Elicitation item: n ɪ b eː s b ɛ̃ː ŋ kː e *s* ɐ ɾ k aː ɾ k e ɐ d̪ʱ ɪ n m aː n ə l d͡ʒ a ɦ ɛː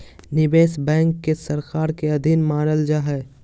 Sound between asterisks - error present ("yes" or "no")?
no